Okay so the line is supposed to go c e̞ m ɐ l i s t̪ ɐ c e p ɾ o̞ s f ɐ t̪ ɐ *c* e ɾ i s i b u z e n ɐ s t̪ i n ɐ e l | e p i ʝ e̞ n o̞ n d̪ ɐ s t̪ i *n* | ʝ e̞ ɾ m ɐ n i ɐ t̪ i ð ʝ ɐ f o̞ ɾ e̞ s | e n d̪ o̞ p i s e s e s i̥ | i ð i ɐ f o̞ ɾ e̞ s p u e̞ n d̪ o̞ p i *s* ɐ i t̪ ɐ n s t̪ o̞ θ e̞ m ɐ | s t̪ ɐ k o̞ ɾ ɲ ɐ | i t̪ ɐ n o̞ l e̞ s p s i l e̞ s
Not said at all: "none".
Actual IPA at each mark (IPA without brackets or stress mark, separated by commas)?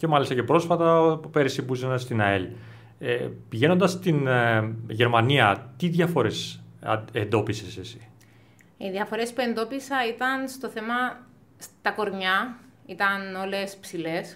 p, n, s